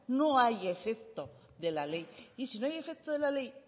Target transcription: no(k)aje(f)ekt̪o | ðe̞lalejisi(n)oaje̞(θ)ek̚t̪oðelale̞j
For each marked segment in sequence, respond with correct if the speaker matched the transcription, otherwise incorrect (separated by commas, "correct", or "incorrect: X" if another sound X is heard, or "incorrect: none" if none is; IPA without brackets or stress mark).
incorrect: none, correct, correct, incorrect: f